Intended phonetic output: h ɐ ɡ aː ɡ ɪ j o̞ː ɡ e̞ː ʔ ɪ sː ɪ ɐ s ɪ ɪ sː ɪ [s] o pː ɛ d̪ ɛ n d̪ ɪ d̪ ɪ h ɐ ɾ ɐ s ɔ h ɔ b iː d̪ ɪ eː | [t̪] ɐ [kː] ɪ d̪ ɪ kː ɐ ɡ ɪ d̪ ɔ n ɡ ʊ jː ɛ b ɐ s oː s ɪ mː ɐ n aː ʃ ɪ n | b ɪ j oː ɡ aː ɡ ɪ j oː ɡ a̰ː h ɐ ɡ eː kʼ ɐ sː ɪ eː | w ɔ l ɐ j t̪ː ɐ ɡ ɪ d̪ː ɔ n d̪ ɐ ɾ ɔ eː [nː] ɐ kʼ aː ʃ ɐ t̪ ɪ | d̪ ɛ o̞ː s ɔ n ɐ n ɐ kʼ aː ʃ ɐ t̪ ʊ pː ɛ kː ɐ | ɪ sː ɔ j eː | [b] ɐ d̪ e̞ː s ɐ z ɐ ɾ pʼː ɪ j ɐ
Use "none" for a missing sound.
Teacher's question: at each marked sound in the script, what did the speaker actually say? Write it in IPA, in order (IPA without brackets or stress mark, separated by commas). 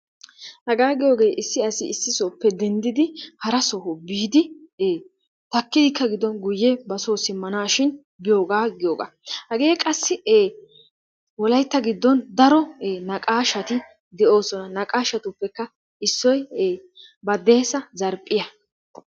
s, t̪, kː, n, b